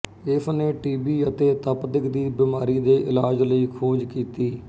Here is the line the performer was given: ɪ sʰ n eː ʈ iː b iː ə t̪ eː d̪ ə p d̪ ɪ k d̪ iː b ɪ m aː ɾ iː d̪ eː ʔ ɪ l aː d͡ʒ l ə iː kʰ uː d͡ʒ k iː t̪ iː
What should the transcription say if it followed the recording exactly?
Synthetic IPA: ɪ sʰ n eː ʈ iː b iː ə t̪ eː t̪ ə p d̪ ɪ k d̪ iː b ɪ m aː ɾ iː d̪ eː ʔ ɪ l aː d͡ʒ l ə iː kʰ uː d͡ʒ k iː t̪ iː